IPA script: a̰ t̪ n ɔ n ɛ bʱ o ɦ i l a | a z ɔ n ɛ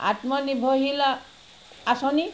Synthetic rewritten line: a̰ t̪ m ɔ n i bʱ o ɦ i l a | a s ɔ n i